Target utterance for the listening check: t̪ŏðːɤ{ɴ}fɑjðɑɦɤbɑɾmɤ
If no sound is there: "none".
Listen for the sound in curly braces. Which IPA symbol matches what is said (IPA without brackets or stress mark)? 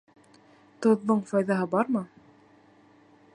ɴ